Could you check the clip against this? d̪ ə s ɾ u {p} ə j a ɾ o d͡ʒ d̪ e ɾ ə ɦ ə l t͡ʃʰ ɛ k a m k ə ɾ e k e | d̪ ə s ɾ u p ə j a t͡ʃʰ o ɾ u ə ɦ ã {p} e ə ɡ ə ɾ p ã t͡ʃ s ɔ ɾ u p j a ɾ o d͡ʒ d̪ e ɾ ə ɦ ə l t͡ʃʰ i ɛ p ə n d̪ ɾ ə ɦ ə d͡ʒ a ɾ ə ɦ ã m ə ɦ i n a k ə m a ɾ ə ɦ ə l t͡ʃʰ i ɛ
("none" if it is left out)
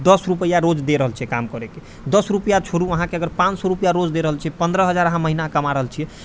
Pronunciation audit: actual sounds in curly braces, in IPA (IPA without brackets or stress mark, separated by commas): p, k